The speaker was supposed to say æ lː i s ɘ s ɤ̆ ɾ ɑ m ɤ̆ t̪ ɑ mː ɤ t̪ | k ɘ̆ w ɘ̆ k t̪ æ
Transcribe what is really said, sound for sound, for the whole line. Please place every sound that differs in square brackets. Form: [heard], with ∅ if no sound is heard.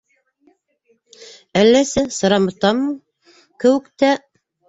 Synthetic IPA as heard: æ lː [æ] s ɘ s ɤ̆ ɾ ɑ m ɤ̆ t̪ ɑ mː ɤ [∅] | k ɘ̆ w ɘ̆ k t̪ æ